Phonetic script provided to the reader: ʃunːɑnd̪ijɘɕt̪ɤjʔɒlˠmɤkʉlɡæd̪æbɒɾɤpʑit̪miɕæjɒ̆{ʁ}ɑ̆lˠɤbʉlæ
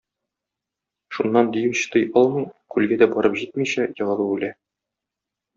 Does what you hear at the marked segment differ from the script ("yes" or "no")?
no